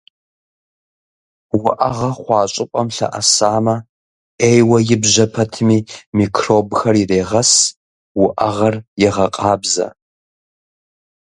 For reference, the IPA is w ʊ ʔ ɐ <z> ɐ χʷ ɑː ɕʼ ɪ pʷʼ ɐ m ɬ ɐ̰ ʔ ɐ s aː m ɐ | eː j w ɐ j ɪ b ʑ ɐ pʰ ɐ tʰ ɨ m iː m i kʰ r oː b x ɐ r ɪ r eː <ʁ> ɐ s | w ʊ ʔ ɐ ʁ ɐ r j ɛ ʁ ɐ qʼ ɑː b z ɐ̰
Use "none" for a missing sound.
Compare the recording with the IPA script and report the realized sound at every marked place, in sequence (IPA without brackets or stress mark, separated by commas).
ʁ, ʁ